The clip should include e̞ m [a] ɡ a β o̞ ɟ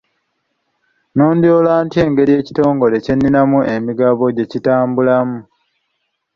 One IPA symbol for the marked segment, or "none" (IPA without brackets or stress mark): i